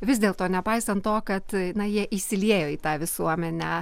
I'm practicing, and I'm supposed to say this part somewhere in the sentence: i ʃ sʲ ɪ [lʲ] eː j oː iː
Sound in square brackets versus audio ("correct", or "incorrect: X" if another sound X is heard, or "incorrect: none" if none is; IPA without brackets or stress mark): correct